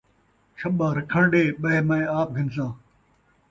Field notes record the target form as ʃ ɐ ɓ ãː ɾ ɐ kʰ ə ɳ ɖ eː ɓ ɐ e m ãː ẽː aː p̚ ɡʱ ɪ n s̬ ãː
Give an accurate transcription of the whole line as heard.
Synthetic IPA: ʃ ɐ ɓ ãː ɾ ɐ kʰ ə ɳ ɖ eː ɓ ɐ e m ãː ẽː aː p̚ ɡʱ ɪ n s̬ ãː